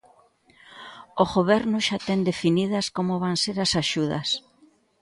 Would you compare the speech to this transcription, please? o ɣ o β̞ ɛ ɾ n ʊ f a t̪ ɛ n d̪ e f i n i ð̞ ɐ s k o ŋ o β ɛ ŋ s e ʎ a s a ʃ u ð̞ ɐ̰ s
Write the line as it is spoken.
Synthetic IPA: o ɣ o β̞ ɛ ɾ n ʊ ʃ a t̪ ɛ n d̪ e f i n i ð̞ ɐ s k o m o β a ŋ s e ɾ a s a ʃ u ð̞ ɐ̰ s